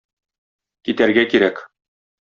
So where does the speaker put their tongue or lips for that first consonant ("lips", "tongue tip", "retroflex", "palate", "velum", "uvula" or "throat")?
velum